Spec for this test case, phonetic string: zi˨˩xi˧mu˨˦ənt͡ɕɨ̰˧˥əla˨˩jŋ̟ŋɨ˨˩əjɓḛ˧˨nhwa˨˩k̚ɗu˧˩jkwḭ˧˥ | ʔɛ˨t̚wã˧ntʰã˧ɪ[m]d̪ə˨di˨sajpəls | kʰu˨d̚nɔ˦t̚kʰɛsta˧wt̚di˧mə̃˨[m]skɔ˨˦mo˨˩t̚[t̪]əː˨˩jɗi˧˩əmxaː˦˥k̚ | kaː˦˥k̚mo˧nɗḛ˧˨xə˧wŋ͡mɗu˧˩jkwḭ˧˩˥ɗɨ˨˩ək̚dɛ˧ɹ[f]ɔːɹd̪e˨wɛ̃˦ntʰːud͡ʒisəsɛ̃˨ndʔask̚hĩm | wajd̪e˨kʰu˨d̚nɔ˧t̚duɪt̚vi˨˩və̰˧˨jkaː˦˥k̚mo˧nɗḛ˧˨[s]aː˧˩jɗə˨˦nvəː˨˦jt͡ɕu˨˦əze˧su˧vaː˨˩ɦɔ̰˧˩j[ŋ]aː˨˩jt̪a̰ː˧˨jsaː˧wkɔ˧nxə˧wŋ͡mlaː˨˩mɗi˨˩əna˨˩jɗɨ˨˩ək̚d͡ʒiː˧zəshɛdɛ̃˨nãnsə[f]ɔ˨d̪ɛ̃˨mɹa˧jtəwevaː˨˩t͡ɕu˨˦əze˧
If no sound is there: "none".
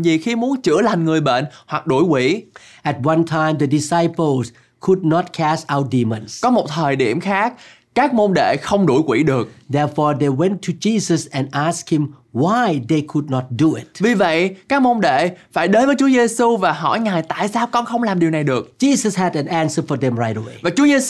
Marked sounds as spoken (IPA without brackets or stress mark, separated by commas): m, n, t̪ʰ, f, f, ŋ, f